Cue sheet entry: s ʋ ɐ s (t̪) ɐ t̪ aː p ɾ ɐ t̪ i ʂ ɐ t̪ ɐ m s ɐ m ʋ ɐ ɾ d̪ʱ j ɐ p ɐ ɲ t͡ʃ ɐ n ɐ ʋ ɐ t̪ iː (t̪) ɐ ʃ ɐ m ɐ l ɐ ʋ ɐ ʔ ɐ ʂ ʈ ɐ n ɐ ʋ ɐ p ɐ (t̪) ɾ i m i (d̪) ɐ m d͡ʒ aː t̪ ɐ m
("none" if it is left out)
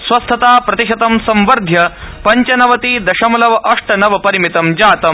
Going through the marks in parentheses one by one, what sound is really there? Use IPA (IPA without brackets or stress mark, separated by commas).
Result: t̪ʰ, d̪, none, t̪